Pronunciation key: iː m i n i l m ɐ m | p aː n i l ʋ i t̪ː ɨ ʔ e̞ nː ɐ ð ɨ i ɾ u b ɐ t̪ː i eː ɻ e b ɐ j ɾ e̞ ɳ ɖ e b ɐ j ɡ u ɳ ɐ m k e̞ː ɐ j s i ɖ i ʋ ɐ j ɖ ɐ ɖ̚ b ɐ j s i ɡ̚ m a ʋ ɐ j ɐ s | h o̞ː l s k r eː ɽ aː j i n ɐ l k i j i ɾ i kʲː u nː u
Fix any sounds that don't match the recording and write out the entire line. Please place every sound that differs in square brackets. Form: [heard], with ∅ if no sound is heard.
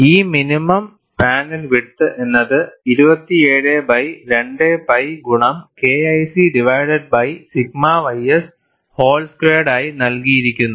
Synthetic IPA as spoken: iː m i n i [∅] m ɐ m | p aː n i l ʋ i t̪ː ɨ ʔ e̞ nː ɐ ð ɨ i ɾ u b ɐ t̪ː i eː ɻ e b ɐ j ɾ e̞ ɳ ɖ e b ɐ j ɡ u ɳ ɐ m k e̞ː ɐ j s i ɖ i ʋ ɐ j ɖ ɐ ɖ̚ b ɐ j s i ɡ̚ m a ʋ ɐ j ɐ s | h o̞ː l s k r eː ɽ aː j i n ɐ l k i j i ɾ i kʲː u nː u